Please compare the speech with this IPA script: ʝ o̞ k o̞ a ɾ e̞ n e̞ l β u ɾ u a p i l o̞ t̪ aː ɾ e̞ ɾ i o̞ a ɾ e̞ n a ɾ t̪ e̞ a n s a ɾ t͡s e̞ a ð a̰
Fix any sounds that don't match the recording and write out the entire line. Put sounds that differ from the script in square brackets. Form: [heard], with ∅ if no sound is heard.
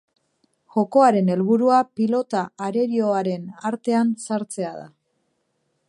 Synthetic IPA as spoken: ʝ o̞ k o̞ a ɾ e̞ n e̞ l β u ɾ u a p i l o̞ t̪ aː ɾ e̞ ɾ i o̞ a ɾ e̞ n a ɾ t̪ e̞ a n s a ɾ t͡s e̞ a ð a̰